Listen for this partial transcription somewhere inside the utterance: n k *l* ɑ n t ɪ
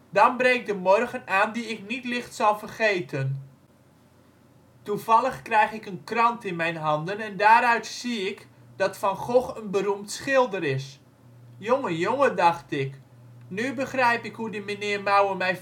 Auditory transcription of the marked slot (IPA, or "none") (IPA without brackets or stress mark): r